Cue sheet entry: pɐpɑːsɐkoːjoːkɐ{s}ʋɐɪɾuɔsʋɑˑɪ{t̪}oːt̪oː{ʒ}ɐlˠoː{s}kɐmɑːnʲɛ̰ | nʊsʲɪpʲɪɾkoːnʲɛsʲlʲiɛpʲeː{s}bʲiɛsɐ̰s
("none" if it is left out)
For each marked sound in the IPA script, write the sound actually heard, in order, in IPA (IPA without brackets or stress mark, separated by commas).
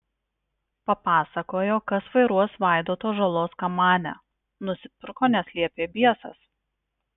s, d̪, ʒ, s, none